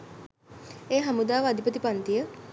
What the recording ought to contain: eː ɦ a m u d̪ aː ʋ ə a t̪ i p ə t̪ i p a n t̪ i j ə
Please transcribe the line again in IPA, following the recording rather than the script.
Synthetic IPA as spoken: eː ɦ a m u d̪ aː ʋ ə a d̪ i p ə t̪ i p a n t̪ i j ə